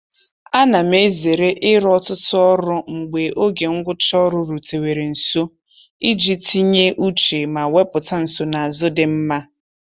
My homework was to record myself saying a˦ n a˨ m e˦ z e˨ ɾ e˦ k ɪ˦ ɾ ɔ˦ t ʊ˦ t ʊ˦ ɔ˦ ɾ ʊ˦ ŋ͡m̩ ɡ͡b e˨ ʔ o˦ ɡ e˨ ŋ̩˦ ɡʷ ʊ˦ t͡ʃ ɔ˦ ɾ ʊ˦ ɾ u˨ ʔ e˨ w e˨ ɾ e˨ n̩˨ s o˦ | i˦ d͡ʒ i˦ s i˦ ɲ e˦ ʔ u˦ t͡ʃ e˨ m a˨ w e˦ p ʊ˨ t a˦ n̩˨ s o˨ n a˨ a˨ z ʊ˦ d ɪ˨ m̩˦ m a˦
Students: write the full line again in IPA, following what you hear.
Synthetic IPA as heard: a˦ n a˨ m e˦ z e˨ ɾ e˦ ʔ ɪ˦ ɾ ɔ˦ t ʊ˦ t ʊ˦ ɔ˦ ɾ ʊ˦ ŋ͡m̩ ɡ͡b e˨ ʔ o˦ ɡ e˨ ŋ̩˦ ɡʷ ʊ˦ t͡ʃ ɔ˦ ɾ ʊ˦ ɾ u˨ t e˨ w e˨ ɾ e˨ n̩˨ s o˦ | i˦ d͡ʒ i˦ t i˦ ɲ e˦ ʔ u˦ t͡ʃ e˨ m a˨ w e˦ p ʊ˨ t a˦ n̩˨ s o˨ n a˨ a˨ z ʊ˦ d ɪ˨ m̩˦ m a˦